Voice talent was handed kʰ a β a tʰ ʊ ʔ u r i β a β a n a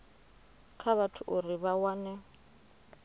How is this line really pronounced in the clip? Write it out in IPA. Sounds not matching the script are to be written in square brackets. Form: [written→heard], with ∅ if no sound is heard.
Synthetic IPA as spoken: kʰ a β a tʰ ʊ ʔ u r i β a [β→w] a n [a→ɛ]